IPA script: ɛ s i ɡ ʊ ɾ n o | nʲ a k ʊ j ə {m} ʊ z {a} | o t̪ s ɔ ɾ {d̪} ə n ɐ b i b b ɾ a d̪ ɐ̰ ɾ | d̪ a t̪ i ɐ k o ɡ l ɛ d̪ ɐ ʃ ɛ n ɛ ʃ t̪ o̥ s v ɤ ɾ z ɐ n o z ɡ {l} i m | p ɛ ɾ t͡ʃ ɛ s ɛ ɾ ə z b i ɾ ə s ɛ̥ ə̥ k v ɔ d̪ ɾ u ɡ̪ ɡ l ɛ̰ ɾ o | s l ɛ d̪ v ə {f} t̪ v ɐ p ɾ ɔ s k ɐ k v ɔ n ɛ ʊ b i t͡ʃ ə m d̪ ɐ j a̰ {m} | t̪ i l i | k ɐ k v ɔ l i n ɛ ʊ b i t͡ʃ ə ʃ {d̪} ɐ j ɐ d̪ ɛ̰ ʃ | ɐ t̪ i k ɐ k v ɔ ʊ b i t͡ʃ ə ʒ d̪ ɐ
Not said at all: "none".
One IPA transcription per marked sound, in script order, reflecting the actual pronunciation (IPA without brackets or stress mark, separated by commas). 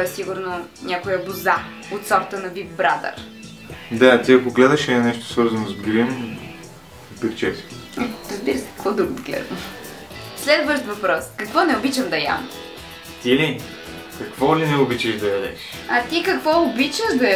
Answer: b, a, t̪, ɾ, ʃ, m, d̪